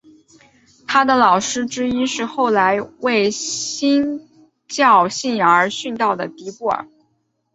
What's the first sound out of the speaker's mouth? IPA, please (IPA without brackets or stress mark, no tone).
t̪ʰ